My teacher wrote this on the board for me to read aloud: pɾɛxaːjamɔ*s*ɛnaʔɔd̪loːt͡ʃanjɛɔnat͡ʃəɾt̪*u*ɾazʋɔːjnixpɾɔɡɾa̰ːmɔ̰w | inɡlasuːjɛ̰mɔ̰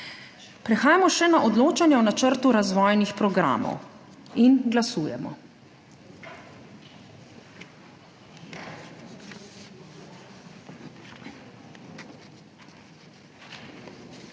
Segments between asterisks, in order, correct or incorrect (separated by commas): incorrect, correct